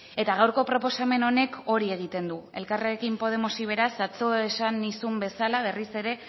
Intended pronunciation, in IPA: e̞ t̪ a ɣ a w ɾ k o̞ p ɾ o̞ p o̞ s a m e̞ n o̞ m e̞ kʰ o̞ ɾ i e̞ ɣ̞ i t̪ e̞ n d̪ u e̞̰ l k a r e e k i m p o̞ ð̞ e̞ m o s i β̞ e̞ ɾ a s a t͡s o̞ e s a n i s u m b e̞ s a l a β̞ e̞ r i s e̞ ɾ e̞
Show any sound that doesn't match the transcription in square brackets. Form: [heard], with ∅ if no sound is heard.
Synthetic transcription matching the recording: e̞ t̪ a ɣ a w ɾ k o̞ p ɾ o̞ p o̞ s a m e̞ n o̞ [n] e̞ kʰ o̞ ɾ i e̞ ɣ̞ i t̪ e̞ n d̪ u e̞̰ l k a r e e k i m p o̞ ð̞ e̞ m o s i β̞ e̞ ɾ a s a t͡s o̞ e s a n i s u m b e̞ s a l a β̞ e̞ r i s e̞ ɾ e̞